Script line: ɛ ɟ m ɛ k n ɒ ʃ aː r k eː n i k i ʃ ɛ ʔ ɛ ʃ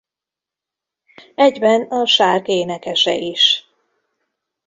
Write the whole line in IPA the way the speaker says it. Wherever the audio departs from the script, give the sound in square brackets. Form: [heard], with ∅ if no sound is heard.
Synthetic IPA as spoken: ɛ ɟ [b] ɛ [∅] n ɒ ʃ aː r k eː n [ɛ] k [ɛ] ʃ ɛ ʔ [i] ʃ